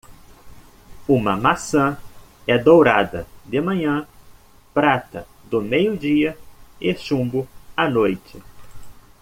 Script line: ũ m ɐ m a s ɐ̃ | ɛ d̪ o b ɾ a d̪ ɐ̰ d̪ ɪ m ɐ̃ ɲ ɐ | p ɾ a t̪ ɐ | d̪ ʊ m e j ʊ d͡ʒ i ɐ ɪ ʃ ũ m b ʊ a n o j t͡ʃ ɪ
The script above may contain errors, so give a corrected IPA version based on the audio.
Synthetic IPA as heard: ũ m ɐ m a s ɐ̃ | ɛ d̪ o w ɾ a d̪ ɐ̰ d̪ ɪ m ɐ̃ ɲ ɐ̃ | p ɾ a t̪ ɐ | d̪ ʊ m e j ʊ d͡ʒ i ɐ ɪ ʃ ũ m b ʊ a n o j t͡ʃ ɪ